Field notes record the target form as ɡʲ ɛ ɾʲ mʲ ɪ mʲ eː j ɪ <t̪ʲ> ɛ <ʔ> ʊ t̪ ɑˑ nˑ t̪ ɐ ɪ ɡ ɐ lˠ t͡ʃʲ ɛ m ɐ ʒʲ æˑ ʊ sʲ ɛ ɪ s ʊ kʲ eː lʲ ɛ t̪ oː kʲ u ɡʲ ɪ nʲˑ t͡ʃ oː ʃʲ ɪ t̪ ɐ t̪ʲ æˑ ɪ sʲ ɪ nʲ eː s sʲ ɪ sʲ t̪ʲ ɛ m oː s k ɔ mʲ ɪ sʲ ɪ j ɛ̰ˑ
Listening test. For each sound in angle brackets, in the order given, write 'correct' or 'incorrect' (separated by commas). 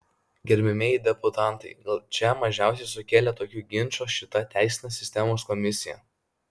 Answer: incorrect, incorrect